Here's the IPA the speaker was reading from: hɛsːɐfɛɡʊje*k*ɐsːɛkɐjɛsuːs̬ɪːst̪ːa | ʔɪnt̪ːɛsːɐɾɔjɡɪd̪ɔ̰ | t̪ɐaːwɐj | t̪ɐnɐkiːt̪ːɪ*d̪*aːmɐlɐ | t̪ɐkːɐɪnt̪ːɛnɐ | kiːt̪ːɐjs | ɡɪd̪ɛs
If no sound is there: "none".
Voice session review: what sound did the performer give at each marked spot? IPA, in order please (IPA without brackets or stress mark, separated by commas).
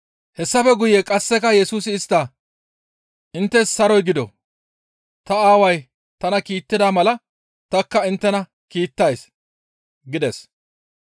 kʼ, d̪